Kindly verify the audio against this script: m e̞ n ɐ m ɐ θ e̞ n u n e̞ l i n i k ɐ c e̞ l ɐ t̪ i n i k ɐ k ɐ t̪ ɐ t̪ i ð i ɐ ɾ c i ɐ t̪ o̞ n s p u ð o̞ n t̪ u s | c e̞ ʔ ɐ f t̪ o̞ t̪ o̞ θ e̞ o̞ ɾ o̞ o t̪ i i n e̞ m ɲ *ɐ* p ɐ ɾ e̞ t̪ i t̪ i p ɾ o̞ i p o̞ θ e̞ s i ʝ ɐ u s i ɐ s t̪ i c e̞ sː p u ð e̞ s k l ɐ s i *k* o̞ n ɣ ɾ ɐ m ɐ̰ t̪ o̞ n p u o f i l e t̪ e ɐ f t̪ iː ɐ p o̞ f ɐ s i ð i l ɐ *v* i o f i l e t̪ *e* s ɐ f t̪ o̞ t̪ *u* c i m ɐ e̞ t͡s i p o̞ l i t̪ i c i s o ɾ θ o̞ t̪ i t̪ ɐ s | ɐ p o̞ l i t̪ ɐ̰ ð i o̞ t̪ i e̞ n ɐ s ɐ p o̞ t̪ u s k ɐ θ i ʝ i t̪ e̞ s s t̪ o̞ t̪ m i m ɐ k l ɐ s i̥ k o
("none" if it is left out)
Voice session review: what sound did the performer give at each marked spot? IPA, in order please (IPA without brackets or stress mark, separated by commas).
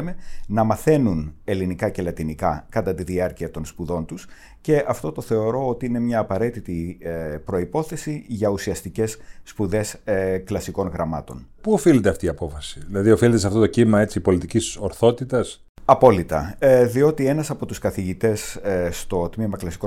ɐː, k, ð, e, o